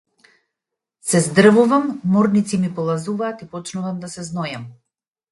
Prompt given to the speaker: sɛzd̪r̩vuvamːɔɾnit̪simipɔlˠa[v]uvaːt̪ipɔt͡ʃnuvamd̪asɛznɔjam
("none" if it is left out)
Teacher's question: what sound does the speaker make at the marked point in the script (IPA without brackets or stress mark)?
z